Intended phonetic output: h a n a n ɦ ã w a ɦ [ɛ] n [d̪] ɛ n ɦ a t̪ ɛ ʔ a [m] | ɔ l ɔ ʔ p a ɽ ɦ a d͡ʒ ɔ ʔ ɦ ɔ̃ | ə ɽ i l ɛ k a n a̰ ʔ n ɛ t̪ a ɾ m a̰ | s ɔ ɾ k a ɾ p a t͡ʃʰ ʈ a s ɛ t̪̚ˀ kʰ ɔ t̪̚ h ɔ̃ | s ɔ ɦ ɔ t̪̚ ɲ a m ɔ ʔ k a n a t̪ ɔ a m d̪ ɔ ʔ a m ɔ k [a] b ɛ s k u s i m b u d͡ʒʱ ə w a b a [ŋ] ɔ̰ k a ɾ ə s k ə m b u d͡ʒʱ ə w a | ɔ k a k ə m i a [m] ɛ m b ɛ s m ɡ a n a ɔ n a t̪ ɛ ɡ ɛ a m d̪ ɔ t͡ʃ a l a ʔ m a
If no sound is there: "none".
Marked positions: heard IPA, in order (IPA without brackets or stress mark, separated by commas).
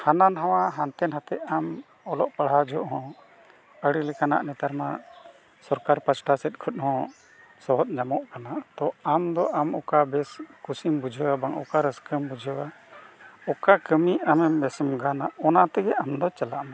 a, t̪, m, a, ŋ, m